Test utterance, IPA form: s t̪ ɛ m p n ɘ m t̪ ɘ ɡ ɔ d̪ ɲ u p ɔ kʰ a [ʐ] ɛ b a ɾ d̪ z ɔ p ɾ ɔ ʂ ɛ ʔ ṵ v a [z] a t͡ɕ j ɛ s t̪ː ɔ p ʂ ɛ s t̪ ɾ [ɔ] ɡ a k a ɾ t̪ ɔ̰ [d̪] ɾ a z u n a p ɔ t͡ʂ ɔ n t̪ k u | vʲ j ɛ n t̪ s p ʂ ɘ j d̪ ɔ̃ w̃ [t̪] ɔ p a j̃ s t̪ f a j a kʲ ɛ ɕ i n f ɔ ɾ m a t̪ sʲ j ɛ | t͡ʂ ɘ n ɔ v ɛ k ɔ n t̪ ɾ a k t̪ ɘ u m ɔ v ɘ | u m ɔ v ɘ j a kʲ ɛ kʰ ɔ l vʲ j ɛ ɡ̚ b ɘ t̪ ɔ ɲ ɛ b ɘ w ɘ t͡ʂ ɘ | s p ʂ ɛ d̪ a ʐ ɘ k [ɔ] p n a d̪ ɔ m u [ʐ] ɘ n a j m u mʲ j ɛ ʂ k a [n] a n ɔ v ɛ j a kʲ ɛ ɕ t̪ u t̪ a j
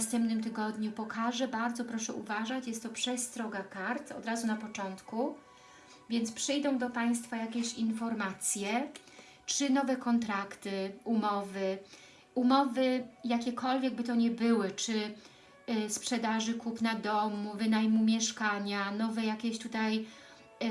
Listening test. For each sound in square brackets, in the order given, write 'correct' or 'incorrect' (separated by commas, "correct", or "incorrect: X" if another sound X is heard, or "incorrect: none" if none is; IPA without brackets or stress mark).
correct, incorrect: ʐ, correct, correct, incorrect: d̪, incorrect: u, incorrect: v, incorrect: ɲ